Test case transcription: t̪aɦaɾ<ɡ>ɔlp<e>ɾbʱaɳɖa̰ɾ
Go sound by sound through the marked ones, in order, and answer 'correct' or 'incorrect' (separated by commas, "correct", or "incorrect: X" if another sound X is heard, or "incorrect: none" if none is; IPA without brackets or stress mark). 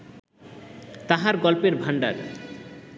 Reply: correct, correct